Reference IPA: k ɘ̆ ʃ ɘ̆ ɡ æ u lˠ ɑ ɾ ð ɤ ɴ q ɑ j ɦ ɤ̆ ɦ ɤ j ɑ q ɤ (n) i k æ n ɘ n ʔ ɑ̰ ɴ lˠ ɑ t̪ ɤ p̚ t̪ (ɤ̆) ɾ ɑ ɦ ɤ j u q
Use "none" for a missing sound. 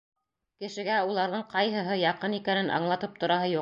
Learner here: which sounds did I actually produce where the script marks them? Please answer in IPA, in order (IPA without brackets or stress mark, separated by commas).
n, ŏ